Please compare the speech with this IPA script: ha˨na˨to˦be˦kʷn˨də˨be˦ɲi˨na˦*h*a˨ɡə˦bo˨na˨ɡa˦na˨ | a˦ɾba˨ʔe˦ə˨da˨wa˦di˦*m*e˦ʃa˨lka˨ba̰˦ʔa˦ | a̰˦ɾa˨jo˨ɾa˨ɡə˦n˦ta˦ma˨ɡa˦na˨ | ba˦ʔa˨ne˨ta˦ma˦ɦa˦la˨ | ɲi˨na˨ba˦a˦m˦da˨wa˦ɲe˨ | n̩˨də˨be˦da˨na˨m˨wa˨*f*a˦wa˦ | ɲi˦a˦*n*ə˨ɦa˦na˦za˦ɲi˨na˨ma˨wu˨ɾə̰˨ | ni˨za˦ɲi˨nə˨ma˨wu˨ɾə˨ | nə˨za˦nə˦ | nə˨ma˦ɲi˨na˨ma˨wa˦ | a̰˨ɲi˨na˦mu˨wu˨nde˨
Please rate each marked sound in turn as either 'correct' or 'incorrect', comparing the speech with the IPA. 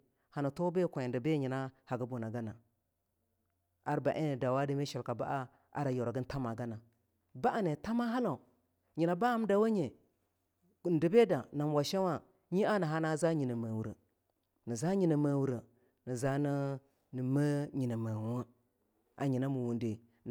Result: correct, correct, incorrect: ʃ, correct

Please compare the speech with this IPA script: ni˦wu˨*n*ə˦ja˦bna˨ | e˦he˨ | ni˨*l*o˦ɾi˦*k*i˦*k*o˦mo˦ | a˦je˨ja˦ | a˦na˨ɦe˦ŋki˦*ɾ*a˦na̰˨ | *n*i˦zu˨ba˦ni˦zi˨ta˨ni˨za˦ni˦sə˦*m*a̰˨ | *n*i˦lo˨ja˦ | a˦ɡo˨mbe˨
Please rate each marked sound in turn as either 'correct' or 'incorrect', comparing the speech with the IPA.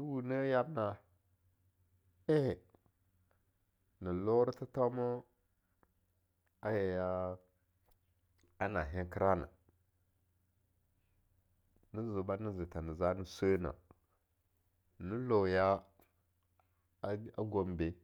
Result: correct, correct, incorrect: t, incorrect: t, correct, correct, incorrect: n, correct

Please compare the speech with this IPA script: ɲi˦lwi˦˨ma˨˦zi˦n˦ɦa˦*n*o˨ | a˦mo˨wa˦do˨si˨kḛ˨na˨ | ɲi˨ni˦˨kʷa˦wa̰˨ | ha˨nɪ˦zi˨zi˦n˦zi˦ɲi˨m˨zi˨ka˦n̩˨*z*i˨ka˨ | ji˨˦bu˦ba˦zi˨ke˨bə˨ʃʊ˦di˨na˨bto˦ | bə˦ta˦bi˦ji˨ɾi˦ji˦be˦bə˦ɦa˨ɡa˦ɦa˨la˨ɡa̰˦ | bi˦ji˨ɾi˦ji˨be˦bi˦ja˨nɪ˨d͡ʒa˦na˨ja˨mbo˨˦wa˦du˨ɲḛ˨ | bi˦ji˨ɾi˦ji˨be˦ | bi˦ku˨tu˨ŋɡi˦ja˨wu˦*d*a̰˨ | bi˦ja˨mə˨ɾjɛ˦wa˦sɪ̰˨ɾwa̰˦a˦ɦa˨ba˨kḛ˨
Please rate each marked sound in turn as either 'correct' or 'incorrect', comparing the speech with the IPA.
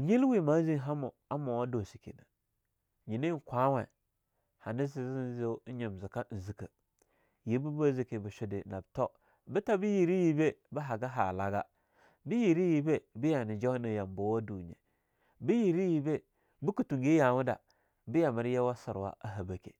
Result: incorrect: m, correct, correct

